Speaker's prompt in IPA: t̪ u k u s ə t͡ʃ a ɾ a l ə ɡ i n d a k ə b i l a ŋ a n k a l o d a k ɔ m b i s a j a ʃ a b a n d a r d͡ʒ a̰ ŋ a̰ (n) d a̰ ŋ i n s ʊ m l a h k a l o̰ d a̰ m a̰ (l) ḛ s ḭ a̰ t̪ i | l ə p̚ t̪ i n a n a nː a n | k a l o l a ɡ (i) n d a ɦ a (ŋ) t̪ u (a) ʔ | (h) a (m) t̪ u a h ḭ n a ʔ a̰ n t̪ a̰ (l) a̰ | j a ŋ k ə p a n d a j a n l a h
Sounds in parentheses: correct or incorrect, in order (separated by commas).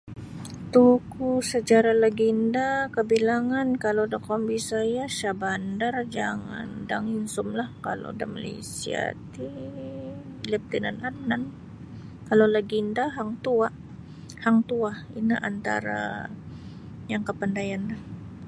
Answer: correct, correct, correct, correct, correct, correct, incorrect, incorrect